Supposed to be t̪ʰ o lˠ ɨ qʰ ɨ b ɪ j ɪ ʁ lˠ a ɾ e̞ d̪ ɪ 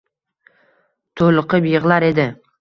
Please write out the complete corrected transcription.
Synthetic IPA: t̪ʰ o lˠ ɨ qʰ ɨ b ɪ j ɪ ʁ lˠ a ɾ e̞ d̪ ɪ